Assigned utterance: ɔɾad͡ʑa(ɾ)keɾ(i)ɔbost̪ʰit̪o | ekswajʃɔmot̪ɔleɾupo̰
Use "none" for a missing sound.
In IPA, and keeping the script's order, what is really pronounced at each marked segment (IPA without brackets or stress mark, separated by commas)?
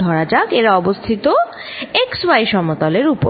none, a